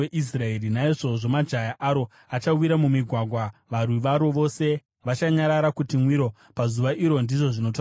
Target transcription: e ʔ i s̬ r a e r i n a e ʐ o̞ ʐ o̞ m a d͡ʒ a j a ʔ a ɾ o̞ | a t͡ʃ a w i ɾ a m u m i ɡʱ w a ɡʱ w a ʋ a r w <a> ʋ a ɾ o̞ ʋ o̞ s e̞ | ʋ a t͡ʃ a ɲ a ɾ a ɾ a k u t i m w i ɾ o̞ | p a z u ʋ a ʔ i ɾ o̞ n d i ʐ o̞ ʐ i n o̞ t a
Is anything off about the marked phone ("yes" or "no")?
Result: yes